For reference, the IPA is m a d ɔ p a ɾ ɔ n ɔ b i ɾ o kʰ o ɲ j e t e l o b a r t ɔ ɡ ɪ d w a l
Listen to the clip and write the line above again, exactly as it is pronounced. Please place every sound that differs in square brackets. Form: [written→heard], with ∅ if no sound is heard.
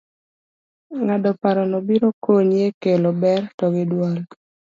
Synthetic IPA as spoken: [m→ŋ] a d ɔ p a ɾ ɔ n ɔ b i ɾ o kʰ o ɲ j e [t→k] e l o b [a→ɛ] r t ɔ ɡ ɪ d w a l